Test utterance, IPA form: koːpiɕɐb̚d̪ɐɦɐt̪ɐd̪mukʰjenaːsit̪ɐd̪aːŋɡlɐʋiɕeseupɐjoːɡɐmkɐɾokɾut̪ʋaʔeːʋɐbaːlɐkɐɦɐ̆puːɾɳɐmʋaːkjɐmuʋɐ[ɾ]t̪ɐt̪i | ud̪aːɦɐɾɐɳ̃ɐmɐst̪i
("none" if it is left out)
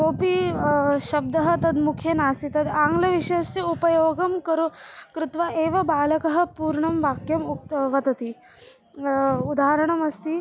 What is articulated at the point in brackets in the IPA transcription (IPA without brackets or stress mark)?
none